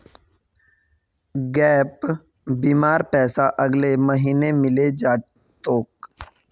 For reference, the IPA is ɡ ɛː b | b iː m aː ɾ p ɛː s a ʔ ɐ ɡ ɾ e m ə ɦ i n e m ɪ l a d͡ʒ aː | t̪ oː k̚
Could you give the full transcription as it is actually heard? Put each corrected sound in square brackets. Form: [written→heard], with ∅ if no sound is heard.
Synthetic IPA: ɡ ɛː [b→p] | b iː m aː ɾ p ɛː s a ʔ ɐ ɡ [ɾ→l] e m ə ɦ [i→iː] n e m ɪ l [a→e] d͡ʒ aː | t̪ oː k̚